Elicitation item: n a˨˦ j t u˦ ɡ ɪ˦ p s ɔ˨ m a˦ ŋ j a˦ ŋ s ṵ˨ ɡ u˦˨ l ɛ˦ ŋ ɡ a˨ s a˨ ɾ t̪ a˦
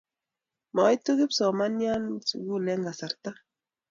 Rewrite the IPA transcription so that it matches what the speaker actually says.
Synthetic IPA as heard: m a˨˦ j t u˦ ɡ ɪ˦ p s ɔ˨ m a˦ n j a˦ n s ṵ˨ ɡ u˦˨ l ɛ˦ ŋ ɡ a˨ s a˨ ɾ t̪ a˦